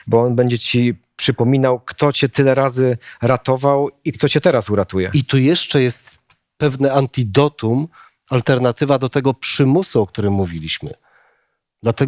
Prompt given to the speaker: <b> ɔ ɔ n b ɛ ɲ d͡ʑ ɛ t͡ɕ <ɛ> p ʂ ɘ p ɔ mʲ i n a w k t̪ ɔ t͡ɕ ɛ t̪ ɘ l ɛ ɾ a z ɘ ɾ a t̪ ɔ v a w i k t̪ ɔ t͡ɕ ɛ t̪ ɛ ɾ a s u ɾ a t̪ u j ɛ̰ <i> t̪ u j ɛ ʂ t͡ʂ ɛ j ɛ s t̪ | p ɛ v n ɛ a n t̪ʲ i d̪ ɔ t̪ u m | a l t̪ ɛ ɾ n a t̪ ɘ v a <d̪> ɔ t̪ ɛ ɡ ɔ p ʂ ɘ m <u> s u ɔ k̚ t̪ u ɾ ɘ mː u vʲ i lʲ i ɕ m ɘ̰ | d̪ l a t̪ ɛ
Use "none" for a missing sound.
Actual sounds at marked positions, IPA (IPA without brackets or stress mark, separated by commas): b, i, i, d̪, u